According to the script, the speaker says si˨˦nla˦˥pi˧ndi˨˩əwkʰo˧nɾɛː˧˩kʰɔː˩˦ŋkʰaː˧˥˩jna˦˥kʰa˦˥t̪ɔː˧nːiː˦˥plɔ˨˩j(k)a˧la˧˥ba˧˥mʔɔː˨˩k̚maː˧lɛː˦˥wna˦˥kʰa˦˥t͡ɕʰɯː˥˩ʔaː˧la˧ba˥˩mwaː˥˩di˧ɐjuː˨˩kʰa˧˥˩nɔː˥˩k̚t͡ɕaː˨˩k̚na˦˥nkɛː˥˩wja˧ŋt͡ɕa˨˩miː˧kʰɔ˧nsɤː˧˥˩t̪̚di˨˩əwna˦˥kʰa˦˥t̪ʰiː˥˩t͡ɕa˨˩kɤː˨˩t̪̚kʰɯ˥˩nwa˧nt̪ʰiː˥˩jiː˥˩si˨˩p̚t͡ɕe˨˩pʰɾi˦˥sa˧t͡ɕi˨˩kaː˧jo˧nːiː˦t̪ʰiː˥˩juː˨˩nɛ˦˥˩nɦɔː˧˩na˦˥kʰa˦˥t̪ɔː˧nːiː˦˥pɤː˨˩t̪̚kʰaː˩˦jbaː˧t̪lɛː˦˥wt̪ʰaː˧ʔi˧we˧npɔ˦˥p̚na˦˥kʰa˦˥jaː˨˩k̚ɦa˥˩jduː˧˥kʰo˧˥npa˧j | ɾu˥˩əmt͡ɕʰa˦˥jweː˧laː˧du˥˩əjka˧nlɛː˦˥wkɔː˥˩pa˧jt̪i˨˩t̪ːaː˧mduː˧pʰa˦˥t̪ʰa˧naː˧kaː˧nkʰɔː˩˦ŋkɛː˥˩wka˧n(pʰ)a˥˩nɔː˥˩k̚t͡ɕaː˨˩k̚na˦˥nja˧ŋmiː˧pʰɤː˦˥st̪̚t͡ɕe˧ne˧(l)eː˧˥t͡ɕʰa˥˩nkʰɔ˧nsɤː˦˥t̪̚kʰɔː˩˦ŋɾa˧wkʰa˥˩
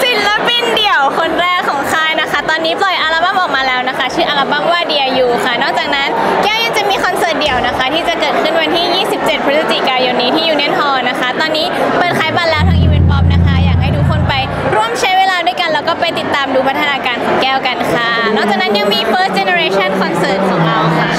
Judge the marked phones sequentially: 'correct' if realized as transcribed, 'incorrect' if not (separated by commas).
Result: incorrect, incorrect, incorrect